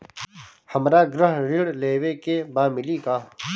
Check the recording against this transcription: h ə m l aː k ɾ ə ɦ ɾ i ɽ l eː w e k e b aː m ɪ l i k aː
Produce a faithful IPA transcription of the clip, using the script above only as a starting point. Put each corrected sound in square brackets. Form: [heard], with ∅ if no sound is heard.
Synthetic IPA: h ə m [ɾ] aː [ɡ] ɾ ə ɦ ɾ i ɽ l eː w e k e b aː m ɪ l i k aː